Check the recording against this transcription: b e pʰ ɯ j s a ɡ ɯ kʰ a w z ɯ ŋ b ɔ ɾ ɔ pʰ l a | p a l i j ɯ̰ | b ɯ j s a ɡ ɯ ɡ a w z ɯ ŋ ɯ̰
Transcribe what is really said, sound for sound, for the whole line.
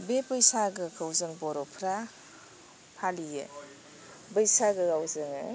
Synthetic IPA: b e p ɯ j s a ɡ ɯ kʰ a w z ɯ ŋ b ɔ ɾ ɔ pʰ ɾ a | pʰ a l i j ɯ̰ | b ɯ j s a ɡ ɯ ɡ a w z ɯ ŋ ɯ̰